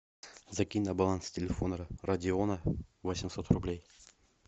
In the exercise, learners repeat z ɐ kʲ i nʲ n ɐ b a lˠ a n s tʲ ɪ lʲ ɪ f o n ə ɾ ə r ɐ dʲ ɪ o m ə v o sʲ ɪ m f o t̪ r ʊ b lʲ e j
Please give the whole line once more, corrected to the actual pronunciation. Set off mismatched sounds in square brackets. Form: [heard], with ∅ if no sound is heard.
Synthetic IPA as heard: z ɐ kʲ i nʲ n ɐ b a lˠ a n s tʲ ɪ lʲ ɪ f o n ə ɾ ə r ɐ dʲ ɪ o [n] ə v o sʲ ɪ m [s] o t̪ r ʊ b lʲ e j